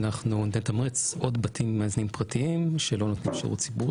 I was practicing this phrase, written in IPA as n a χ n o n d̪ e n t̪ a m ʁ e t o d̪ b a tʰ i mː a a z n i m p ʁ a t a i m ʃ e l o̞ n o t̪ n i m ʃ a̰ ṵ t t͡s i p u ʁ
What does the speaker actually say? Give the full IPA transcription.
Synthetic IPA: n a χ n u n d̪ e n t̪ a m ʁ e t͡s o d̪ b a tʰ i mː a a z n i m p ʁ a t i i m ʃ e l o̞ n o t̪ n i m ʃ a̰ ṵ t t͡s i b u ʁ